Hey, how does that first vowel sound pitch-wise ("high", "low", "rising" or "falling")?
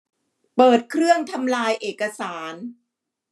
low